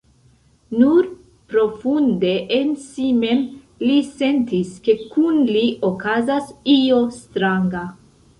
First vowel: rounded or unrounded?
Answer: rounded